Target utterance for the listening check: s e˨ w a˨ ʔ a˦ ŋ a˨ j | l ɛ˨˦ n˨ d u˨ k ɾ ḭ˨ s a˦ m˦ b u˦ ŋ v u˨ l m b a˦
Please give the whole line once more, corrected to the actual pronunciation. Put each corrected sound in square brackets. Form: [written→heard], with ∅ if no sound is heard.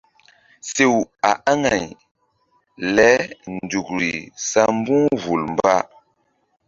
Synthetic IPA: s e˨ w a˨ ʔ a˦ ŋ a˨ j | l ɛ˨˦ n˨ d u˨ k ɾ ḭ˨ s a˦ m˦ b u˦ ŋ v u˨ l m b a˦